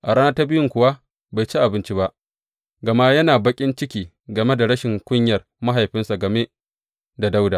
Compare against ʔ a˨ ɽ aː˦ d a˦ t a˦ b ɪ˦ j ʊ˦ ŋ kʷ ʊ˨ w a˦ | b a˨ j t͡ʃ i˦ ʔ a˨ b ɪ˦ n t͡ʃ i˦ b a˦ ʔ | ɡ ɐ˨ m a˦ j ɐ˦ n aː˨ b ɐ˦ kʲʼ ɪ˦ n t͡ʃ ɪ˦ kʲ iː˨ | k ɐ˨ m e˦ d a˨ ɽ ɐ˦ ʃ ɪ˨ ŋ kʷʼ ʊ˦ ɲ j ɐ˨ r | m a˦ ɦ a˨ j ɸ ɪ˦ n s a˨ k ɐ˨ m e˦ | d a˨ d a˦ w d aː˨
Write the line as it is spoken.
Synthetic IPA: ʔ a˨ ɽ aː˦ n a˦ t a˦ b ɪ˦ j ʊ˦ ŋ kʷ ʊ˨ w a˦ | b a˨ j t͡ʃ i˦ ʔ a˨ b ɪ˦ n t͡ʃ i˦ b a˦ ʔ | ɡ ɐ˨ m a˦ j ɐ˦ n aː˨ b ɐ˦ kʲʼ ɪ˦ n t͡ʃ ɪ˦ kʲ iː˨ | ɡ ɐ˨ m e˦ d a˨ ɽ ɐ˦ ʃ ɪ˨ ŋ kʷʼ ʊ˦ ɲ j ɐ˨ r | m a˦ ɦ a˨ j ɸ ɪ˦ n s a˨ ɡ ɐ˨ m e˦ | d a˨ d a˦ w d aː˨

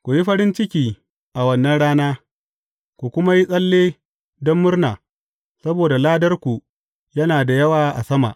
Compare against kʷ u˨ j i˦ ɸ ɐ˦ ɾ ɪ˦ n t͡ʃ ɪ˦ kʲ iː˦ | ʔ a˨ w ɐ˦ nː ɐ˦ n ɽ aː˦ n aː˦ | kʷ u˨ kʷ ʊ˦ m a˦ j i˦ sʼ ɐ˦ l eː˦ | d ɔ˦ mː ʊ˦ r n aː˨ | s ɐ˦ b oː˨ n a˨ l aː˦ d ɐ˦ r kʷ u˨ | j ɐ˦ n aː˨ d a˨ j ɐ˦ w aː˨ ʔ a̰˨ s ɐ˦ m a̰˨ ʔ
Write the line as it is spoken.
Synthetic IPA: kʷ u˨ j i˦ ɸ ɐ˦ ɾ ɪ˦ n t͡ʃ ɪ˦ kʲ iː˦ | ʔ a˨ w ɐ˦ nː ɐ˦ n ɽ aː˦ n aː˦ | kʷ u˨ kʷ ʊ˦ m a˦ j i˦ sʼ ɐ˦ lː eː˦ | d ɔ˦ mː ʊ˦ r n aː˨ | s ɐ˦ b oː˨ d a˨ l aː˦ d ɐ˦ r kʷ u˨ | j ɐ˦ n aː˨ d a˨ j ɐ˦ w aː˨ ʔ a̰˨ s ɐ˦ m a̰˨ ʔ

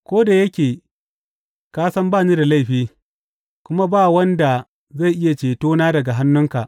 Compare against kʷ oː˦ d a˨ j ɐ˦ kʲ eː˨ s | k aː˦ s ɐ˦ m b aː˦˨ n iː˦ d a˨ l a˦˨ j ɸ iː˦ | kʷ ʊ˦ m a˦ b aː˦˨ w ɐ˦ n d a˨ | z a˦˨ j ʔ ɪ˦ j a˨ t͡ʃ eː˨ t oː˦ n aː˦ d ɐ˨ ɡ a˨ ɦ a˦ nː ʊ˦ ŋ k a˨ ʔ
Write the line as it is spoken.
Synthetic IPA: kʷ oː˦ d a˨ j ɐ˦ kʲ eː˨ | k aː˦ s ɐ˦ m b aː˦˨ n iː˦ d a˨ l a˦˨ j ɸ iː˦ | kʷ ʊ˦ m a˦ b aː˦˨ w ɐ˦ n d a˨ | z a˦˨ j ʔ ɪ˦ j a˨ t͡ʃ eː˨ t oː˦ n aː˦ d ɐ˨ ɡ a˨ ɦ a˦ nː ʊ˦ ŋ k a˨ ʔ

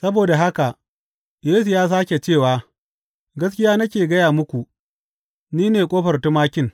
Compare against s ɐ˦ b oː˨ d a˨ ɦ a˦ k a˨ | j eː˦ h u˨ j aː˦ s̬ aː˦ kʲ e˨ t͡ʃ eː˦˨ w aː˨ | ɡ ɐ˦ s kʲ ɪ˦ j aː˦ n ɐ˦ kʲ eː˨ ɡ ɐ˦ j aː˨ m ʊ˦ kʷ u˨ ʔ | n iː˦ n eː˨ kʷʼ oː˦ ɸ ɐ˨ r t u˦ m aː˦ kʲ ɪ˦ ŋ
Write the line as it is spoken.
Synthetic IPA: s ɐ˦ b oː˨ d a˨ ɦ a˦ k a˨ | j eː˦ s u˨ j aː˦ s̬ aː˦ kʲ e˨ t͡ʃ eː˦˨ w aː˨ | ɡ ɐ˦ s kʲ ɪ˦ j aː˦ n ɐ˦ kʲ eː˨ ɡ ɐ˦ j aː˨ m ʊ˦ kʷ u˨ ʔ | n iː˦ n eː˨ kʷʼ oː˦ ɸ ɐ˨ r t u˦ m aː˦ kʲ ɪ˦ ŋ

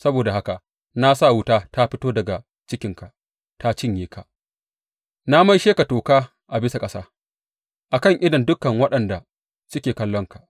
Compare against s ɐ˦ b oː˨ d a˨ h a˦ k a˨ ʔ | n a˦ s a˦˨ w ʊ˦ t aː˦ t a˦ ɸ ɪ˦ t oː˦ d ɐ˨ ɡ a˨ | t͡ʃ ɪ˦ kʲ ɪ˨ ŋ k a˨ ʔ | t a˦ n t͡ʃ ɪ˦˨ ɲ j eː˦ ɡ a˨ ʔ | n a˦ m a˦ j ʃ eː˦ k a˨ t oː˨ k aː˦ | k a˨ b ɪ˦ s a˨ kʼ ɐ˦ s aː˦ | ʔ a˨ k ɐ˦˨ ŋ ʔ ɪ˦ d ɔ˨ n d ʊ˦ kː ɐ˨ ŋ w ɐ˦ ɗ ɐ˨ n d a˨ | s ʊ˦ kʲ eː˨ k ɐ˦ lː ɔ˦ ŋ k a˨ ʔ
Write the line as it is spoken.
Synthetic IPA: s ɐ˦ b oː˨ d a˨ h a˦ k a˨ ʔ | n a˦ s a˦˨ w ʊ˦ t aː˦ t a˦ ɸ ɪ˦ t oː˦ d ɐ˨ ɡ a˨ | t͡ʃ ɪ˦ kʲ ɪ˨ ŋ k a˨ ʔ | t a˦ t͡ʃ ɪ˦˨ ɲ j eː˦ k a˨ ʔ | n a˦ m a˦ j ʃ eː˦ k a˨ t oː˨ k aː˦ | ʔ a˨ b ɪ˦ s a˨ kʼ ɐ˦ s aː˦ | ʔ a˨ k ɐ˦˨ ŋ ʔ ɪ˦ d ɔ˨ n d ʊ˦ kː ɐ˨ ŋ w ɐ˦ ɗ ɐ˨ n d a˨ | s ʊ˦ kʲ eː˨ k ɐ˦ lː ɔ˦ ŋ k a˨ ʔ

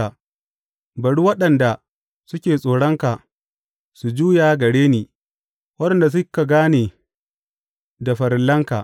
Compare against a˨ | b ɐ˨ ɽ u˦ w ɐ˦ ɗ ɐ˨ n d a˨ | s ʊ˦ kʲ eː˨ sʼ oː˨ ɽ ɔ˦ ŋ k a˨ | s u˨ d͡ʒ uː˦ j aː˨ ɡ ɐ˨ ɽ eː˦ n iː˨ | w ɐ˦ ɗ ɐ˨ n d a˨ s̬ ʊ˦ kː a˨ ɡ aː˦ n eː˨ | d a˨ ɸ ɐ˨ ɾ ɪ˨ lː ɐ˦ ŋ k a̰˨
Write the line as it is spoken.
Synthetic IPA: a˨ | b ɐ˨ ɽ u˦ w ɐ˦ ɗ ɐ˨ n d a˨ | s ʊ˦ kʲ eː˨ sʼ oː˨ ɽ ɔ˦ ŋ k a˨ | s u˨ d͡ʒ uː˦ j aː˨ ɡ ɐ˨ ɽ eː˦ n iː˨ | w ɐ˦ ɗ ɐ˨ n d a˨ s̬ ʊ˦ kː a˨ ɡ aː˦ n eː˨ | d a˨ ɸ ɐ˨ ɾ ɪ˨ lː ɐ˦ ŋ k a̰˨

